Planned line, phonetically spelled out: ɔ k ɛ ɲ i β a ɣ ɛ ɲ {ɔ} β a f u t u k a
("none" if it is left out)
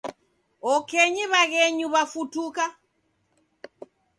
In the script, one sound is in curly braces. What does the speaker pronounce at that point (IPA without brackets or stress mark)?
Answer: u